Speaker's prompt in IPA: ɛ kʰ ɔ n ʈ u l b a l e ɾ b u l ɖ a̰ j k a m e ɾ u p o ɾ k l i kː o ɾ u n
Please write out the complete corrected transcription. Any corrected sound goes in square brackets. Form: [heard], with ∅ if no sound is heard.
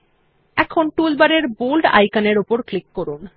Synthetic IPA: ɛ kʰ [o] n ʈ u l b a [ɾ] e ɾ b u l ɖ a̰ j k a [n] e ɾ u p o ɾ k l i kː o ɾ u n

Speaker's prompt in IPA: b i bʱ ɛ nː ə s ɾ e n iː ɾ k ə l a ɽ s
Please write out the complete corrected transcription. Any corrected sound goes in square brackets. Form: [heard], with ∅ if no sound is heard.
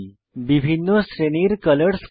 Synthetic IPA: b i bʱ [i] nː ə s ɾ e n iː ɾ k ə l [ə] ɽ s

